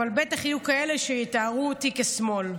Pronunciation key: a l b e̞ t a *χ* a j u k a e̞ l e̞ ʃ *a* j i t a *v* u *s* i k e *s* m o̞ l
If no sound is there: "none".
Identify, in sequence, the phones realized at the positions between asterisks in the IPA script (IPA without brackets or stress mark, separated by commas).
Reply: χ, e, ʁ, t, s